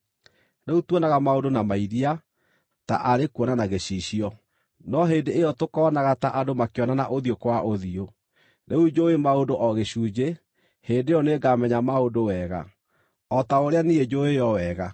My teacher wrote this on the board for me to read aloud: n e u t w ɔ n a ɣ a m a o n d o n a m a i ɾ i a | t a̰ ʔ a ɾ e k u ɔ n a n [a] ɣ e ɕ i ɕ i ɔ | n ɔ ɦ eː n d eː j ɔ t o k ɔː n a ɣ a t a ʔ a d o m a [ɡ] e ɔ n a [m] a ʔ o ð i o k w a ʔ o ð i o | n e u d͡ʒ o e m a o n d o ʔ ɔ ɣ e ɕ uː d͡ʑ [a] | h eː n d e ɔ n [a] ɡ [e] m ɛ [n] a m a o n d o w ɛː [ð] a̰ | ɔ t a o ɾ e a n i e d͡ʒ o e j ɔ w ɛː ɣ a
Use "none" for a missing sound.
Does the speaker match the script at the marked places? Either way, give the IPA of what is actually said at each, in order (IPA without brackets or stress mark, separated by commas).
a, k, n, e, e, a, ɲ, ɣ